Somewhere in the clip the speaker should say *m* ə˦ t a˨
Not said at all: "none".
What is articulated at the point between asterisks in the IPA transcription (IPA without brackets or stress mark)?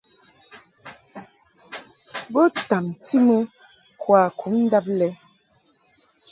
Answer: b